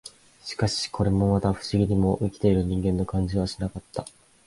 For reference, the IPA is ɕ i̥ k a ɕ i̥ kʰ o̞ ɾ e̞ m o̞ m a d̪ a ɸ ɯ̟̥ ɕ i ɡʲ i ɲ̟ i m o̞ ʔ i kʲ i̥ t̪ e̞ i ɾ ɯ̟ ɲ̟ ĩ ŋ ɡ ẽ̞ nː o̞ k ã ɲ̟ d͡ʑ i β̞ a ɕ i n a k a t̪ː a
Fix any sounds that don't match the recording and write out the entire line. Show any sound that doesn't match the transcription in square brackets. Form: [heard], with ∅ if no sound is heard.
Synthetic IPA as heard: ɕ i̥ k a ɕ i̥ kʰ o̞ ɾ e̞ m o̞ m a [t̪] a ɸ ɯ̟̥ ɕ i ɡʲ i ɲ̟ i m o̞ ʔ i kʲ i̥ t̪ e̞ i ɾ ɯ̟ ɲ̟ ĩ ŋ ɡ ẽ̞ nː o̞ k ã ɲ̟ d͡ʑ i β̞ a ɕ i n a k a t̪ː a